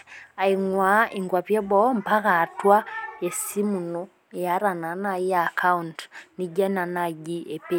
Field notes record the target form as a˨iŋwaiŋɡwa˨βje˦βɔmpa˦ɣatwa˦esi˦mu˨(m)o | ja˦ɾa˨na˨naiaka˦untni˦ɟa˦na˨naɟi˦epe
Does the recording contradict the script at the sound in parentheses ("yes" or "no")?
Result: yes